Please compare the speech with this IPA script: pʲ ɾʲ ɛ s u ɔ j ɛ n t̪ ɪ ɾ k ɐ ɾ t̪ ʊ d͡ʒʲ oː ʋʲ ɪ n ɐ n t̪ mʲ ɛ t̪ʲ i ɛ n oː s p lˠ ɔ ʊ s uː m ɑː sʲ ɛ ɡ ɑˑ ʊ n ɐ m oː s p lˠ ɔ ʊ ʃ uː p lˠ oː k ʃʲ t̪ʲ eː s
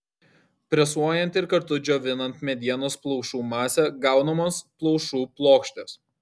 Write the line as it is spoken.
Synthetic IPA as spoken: pʲ ɾʲ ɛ s u ɔ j ɛ n t̪ ɪ ɾ k ɐ ɾ t̪ ʊ d͡ʒʲ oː ʋʲ ɪ n ɐ n t̪ mʲ ɛ d̪ʲ i ɛ n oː s p lˠ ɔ ʊ ʃ uː m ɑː sʲ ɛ ɡ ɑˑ ʊ n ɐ m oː s p lˠ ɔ ʊ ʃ uː p lˠ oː k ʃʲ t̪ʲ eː s